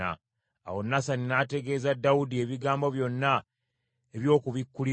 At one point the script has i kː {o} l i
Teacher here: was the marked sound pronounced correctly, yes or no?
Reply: no